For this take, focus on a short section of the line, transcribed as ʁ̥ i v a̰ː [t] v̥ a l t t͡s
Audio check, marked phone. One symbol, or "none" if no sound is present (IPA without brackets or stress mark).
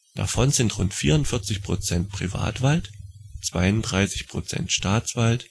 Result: t